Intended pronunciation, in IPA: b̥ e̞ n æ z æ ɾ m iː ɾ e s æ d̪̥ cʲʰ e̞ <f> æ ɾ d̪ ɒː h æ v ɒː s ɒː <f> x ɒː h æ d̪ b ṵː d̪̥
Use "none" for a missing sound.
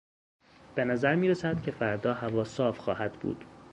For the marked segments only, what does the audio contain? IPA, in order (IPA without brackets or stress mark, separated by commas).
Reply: f, f